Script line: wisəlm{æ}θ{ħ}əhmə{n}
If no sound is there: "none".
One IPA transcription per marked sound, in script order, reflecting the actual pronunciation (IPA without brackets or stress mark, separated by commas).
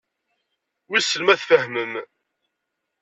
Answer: æ, f, m